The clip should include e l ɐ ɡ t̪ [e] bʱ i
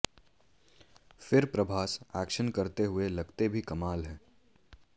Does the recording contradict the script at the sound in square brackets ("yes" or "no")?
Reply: no